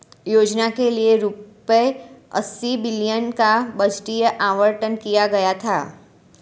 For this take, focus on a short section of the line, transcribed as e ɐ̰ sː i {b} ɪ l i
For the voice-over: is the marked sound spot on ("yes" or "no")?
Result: yes